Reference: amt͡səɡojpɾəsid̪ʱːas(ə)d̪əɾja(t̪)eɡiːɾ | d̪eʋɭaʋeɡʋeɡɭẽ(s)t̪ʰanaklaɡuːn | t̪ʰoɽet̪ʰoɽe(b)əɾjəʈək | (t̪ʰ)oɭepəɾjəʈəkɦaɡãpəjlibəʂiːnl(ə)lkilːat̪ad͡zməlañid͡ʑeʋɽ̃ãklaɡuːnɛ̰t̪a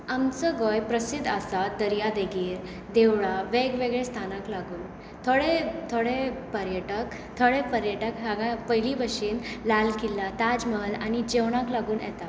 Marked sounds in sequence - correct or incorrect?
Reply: incorrect, incorrect, correct, incorrect, correct, incorrect

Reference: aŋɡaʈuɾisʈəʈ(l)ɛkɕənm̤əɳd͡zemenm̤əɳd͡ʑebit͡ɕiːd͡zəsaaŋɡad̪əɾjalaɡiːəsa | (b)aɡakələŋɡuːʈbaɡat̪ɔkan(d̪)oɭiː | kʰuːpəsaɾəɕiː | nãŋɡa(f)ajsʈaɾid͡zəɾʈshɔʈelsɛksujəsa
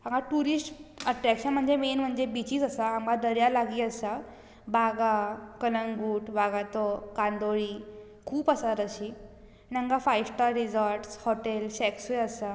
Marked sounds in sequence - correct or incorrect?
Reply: incorrect, correct, correct, correct

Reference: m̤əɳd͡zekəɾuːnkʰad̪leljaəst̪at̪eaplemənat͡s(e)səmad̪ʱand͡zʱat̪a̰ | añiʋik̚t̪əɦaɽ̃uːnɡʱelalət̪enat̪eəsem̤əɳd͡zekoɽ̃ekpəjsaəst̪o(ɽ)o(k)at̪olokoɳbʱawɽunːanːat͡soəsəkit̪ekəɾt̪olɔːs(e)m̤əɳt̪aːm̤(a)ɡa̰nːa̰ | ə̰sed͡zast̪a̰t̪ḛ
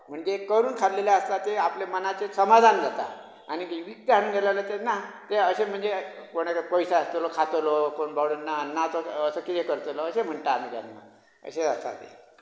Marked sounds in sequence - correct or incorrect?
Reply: correct, incorrect, incorrect, correct, incorrect

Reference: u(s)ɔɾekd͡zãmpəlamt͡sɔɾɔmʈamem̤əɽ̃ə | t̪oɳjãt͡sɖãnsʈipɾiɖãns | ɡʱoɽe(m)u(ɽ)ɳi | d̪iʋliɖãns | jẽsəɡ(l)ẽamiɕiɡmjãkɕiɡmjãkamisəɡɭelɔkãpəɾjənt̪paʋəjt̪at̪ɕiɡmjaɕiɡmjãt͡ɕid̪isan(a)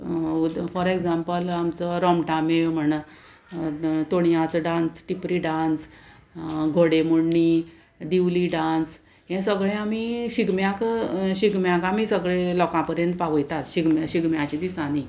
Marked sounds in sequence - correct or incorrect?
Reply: incorrect, correct, correct, incorrect, incorrect

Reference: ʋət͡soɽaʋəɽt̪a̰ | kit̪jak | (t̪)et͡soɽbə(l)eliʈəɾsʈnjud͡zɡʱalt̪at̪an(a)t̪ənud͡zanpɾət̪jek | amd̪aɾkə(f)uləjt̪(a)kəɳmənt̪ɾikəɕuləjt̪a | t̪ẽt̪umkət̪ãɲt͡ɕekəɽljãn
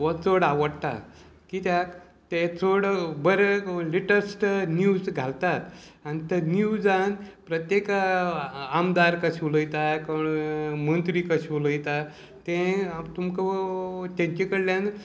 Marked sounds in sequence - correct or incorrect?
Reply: correct, incorrect, incorrect, incorrect, correct

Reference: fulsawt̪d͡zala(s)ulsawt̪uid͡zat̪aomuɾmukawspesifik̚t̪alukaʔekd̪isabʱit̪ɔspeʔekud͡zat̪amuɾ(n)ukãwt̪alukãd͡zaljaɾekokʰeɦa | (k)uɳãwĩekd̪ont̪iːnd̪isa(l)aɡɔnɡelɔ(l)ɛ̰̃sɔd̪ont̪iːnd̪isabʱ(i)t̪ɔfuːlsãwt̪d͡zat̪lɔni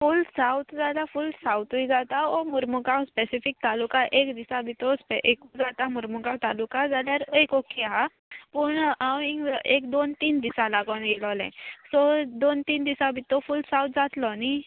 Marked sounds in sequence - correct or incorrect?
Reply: incorrect, incorrect, incorrect, correct, correct, correct

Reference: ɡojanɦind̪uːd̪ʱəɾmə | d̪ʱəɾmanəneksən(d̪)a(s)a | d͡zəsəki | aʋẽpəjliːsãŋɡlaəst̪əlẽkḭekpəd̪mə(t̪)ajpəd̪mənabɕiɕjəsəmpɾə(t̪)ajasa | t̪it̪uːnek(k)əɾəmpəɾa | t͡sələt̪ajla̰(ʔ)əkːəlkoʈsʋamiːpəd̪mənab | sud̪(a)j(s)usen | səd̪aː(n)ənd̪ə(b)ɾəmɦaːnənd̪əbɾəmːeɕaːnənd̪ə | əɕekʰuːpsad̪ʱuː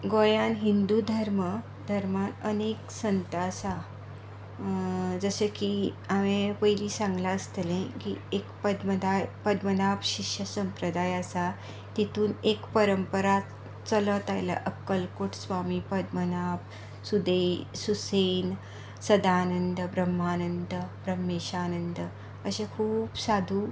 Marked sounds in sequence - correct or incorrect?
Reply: incorrect, correct, incorrect, incorrect, incorrect, correct, incorrect, correct, correct, correct

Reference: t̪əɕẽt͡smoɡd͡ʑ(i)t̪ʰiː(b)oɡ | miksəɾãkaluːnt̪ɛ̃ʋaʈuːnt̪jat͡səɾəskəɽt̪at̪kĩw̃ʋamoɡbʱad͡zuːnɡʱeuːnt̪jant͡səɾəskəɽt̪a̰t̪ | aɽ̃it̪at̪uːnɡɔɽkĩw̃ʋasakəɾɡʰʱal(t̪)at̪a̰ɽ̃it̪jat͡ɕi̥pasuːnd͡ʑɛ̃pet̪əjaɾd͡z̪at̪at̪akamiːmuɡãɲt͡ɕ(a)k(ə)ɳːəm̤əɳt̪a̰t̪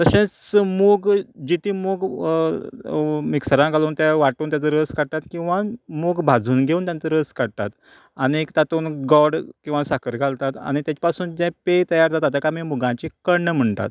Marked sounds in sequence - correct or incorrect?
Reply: correct, incorrect, correct, incorrect, correct

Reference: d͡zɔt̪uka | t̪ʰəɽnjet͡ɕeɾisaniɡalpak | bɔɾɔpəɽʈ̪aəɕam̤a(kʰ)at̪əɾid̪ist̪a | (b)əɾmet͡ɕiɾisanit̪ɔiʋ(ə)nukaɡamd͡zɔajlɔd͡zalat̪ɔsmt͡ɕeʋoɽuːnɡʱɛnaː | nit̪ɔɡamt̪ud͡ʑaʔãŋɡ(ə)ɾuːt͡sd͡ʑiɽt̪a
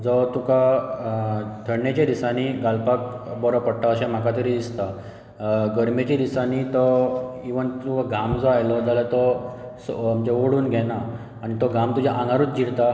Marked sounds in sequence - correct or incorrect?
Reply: incorrect, incorrect, correct, incorrect

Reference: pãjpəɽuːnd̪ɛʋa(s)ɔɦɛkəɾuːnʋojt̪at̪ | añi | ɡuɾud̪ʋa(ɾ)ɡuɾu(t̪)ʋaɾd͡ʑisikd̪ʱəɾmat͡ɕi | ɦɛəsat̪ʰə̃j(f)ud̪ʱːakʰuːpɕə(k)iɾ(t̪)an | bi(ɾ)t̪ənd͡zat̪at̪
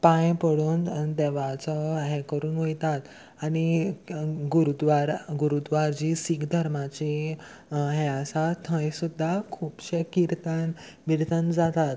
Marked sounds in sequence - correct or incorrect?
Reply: incorrect, correct, incorrect, incorrect, correct, correct, correct

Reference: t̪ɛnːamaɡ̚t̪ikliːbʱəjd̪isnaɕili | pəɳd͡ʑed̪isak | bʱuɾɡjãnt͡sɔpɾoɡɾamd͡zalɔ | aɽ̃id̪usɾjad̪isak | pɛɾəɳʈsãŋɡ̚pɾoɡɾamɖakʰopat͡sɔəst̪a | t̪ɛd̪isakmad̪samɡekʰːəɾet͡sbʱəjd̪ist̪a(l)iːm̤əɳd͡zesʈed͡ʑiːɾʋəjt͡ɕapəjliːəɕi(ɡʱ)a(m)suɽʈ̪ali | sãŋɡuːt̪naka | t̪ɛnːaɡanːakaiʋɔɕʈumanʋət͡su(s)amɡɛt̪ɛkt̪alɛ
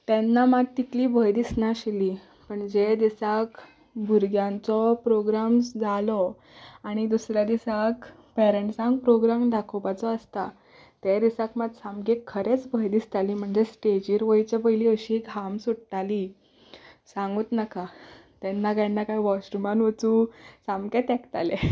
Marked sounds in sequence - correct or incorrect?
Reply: correct, correct, correct, correct

